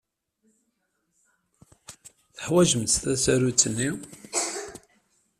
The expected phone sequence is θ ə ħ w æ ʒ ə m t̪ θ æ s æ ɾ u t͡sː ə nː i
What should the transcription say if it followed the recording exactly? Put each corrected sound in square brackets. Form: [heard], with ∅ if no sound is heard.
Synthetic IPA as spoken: θ ə ħ w æ ʒ ə m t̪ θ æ s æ ɾ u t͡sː ə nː i